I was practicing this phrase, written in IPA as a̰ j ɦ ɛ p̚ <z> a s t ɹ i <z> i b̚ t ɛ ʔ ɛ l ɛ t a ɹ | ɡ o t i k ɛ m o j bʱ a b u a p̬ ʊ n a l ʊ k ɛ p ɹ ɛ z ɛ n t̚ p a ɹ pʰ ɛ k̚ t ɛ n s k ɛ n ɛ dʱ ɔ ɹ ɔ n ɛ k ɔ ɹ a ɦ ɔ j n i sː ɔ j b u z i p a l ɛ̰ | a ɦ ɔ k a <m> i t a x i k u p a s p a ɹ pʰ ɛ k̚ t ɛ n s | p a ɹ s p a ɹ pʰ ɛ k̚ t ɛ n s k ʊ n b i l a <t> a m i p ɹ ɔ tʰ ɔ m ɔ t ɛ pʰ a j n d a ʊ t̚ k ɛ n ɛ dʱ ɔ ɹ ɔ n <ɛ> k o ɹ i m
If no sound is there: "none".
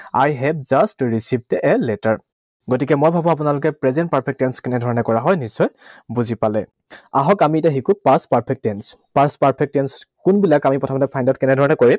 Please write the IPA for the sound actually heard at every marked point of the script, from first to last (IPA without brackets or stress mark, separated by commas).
z, s, m, k, ɛ